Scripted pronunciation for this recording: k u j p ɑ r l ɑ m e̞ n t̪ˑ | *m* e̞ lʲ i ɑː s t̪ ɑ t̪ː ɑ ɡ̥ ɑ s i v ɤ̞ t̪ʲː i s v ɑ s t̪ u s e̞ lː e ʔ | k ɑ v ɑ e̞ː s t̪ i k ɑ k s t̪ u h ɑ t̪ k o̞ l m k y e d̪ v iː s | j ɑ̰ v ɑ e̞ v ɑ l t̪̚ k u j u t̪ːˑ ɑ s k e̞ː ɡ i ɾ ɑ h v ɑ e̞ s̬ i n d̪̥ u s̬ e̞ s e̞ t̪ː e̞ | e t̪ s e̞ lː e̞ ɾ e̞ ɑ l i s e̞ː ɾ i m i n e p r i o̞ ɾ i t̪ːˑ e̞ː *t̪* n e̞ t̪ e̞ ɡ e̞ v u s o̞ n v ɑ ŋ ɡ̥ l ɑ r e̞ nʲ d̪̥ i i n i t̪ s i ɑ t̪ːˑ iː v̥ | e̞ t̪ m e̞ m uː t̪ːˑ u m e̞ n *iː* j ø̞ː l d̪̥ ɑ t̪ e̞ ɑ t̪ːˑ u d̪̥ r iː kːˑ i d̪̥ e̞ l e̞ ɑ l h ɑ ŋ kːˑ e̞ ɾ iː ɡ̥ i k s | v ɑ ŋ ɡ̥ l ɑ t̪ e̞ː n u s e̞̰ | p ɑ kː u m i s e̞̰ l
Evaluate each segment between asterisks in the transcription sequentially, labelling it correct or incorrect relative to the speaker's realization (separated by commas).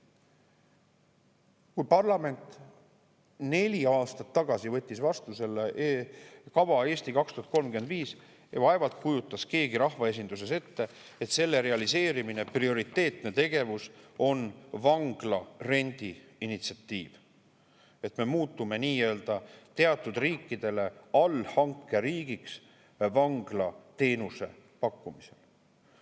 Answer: incorrect, correct, correct